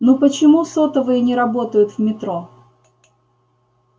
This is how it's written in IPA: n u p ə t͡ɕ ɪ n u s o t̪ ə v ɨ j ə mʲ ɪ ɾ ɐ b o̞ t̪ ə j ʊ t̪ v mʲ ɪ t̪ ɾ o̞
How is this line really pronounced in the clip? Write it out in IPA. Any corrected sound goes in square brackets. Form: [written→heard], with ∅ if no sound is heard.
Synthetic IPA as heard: n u p ə t͡ɕ ɪ [n→m] u s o t̪ ə v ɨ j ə [mʲ→nʲ] ɪ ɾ ɐ b o̞ t̪ ə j ʊ t̪ v mʲ ɪ t̪ ɾ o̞